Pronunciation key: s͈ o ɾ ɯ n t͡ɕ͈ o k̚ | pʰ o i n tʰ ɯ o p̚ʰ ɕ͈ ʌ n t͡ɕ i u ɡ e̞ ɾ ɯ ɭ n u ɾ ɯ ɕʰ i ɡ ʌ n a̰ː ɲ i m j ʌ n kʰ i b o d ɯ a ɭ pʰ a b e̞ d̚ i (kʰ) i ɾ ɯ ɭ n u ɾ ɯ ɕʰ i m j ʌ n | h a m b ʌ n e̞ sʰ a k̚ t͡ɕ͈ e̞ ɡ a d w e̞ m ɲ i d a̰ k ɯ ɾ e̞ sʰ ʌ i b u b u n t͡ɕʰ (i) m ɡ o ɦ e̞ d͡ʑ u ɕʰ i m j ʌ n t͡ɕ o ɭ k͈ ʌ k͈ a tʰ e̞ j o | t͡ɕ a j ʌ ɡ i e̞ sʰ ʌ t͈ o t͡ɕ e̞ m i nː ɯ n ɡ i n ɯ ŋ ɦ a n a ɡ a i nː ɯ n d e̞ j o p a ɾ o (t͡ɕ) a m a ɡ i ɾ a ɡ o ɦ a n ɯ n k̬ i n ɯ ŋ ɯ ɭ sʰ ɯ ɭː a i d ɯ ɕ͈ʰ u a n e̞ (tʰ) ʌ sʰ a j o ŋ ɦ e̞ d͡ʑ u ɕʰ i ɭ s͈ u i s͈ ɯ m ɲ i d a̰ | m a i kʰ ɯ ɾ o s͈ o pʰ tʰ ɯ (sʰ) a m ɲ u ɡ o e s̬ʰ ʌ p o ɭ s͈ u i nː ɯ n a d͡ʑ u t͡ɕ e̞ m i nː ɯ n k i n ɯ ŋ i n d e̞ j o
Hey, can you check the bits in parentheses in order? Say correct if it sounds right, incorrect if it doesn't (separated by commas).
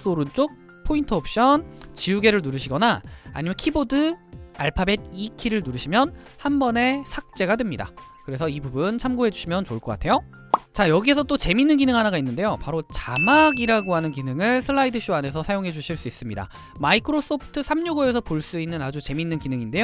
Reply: correct, incorrect, correct, incorrect, correct